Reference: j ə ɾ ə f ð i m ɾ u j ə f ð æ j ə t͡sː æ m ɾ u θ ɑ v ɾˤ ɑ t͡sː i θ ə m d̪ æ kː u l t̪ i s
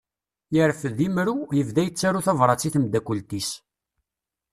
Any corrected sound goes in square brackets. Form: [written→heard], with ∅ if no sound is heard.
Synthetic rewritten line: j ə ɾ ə f ð i m ɾ u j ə [f→v] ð æ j ə t͡sː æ [m→∅] ɾ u θ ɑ v ɾˤ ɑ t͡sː i θ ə m d̪ æ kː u l t̪ i s